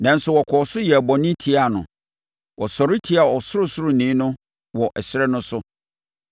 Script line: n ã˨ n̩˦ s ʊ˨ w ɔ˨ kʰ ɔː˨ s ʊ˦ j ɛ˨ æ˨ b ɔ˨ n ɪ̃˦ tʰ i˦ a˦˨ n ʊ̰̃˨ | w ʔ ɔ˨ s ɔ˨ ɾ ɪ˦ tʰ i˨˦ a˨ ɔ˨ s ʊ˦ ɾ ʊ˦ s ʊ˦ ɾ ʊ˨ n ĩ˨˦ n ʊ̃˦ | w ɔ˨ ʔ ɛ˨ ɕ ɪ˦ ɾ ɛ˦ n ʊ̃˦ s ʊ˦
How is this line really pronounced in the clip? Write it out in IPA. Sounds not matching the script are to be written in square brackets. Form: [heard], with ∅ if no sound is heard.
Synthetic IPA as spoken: n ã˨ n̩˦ s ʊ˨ w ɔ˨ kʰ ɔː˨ s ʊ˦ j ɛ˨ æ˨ b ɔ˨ n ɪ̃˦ tʰ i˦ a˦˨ n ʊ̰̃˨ | w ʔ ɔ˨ s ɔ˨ ɾ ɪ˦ tʰ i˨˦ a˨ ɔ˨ s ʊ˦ ɾ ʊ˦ s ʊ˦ ɾ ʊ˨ n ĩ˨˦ n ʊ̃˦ | w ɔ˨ ʔ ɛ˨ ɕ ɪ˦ ɾ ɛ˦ n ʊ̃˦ s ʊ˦